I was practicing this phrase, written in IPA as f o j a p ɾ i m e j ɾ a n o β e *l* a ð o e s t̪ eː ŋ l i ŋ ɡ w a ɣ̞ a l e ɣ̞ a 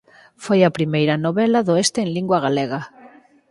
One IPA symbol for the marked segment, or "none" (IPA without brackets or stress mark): l